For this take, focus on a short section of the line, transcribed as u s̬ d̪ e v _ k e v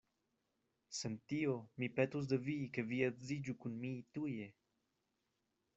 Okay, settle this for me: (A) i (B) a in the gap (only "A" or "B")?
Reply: A